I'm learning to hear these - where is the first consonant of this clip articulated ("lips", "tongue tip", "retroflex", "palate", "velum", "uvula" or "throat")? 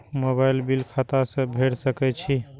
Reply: lips